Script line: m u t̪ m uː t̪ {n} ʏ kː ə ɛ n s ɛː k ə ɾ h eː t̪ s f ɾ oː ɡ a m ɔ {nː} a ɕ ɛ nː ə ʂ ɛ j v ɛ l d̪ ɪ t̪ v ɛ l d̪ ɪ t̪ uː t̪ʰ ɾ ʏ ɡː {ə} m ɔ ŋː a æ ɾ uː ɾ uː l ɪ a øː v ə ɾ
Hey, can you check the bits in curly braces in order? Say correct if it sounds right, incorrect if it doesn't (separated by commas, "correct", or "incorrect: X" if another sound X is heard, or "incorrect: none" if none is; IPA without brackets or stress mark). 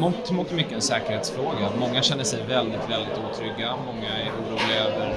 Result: incorrect: m, incorrect: ŋː, incorrect: a